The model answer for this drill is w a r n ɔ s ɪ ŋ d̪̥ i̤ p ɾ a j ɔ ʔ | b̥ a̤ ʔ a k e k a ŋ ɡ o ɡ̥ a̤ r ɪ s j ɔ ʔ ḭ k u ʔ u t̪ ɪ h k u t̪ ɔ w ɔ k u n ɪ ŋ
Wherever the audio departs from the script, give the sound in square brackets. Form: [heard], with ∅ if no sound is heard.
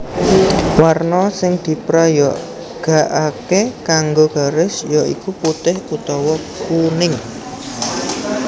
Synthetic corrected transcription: w a r n ɔ s ɪ ŋ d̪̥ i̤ p ɾ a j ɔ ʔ | [ɡ̥] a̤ ʔ a k e k a ŋ ɡ o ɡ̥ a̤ [ɾ] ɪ s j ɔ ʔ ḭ k u [p] u t̪ ɪ h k u t̪ ɔ w ɔ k u n ɪ ŋ